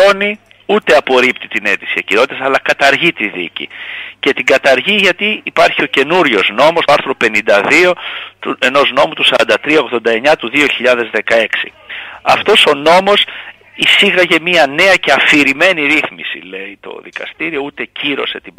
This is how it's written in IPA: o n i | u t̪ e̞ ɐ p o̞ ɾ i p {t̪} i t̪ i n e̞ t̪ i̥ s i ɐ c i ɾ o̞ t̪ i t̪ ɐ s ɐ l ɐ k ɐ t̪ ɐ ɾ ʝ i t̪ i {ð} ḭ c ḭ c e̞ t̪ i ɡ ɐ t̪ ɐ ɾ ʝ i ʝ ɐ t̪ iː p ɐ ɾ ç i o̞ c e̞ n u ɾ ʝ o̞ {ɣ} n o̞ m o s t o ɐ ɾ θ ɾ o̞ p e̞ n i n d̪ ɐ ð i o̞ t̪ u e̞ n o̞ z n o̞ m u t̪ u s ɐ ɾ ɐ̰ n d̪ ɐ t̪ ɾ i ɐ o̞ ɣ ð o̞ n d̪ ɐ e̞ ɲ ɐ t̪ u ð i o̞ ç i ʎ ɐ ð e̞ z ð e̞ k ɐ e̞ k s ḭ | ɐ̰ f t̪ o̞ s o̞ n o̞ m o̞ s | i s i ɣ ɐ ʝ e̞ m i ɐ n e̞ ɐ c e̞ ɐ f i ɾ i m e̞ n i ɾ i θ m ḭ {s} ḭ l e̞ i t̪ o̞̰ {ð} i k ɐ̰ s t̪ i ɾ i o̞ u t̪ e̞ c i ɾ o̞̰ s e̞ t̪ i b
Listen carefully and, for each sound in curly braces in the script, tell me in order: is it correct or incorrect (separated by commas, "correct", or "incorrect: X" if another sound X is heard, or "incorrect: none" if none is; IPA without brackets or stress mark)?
correct, correct, incorrect: z, correct, correct